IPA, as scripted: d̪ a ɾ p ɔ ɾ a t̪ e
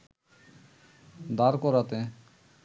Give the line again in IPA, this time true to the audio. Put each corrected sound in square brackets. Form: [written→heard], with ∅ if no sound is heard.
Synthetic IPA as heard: d̪ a ɾ [p→k] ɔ ɾ a t̪ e